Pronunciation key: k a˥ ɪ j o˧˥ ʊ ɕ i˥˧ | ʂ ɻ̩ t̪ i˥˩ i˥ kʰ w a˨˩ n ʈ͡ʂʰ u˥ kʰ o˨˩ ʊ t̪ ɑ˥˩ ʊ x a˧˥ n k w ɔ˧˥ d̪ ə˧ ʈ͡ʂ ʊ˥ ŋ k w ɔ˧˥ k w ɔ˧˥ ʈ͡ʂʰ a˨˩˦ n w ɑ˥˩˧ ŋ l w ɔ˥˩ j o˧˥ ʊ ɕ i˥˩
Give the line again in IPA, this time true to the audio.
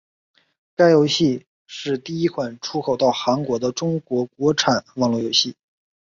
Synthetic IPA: k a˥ ɪ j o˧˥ ʊ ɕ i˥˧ | ʂ ɻ̩ t̪ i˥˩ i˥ kʰ w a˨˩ n ʈ͡ʂʰ u˥ kʰ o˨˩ ʊ t̪ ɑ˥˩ ʊ x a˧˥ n k w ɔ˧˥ d̪ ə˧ ʈ͡ʂ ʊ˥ ŋ k w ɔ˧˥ k w ɔ˧˥ ʈ͡ʂʰ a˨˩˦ n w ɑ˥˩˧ ŋ l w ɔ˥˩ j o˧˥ ʊ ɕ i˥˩